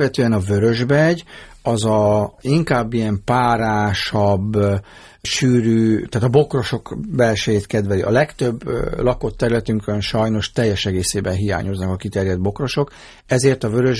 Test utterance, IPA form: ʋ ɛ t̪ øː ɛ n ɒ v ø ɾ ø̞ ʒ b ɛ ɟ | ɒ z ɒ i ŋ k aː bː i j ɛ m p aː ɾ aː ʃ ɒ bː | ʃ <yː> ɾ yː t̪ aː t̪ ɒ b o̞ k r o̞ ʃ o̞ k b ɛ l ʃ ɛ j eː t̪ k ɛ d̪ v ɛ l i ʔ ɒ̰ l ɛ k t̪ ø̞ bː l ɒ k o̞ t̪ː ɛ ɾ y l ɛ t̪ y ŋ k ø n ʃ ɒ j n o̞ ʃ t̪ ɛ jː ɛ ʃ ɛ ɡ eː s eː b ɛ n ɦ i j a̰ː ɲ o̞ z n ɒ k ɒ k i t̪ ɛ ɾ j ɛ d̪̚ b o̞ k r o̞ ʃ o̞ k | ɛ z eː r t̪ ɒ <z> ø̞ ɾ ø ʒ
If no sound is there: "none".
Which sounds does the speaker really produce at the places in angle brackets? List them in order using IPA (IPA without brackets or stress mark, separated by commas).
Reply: yː, v